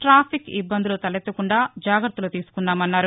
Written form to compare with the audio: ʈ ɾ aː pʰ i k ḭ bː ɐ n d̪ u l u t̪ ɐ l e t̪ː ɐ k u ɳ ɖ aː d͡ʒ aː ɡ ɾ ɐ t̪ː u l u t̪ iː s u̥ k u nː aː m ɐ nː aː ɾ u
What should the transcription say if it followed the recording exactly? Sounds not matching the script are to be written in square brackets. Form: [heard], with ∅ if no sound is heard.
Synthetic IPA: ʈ ɾ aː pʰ i k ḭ bː ɐ n d̪ u l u t̪ ɐ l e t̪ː ɐ k u ɳ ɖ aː d͡ʒ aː ɡ ɾ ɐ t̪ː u l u t̪ iː s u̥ k u nː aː m ɐ nː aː ɾ u